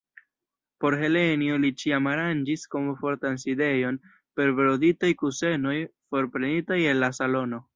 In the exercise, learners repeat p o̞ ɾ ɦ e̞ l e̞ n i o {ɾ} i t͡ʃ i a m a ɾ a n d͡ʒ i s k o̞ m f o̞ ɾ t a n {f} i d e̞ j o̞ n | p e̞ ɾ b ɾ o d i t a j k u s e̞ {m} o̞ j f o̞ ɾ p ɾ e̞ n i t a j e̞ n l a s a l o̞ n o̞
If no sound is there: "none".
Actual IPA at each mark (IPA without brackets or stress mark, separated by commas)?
l, s, n